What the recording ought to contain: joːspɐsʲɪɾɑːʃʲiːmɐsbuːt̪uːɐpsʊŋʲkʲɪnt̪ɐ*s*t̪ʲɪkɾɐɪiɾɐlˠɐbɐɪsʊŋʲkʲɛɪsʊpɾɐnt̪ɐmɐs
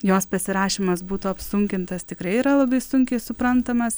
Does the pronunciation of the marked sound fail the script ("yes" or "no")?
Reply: no